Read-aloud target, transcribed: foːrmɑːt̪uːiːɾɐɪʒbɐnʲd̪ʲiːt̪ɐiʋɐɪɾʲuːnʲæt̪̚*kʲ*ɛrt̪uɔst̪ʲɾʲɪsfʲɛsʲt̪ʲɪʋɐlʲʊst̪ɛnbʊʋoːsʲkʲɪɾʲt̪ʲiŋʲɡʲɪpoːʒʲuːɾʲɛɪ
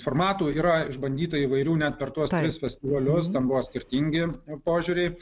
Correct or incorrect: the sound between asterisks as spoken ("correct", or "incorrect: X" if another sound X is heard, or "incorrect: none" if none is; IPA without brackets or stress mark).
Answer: incorrect: pʲ